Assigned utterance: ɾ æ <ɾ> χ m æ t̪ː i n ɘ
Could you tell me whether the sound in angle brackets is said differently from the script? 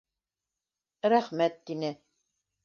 yes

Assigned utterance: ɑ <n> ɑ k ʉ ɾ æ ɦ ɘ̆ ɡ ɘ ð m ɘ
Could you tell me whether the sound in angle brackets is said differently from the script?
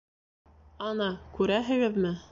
no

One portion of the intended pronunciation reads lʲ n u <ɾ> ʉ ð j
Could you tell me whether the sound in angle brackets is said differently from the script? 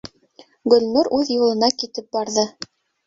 no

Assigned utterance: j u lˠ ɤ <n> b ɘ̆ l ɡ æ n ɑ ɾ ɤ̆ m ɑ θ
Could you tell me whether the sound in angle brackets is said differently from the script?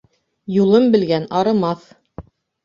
yes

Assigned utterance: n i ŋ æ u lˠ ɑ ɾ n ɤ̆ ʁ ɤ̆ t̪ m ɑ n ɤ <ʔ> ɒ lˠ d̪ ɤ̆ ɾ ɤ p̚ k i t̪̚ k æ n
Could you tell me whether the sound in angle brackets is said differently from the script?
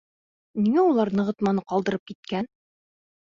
yes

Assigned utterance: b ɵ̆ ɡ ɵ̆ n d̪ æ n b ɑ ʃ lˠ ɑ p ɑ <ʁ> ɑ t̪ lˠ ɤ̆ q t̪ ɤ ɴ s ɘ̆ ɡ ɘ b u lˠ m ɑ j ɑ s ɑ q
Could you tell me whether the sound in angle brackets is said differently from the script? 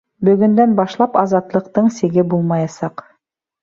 yes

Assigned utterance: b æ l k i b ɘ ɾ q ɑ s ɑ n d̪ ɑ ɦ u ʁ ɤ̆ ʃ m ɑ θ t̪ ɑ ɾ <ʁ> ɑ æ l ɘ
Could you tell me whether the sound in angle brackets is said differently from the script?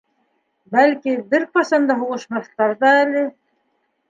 yes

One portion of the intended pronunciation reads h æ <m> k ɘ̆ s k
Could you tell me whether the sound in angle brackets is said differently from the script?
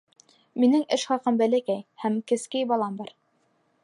no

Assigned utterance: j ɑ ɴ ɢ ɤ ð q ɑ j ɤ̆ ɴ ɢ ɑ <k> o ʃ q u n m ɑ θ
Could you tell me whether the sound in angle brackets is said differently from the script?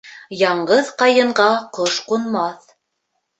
yes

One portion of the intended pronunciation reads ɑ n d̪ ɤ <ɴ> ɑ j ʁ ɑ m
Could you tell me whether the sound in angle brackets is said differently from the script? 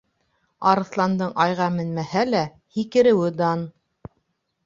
no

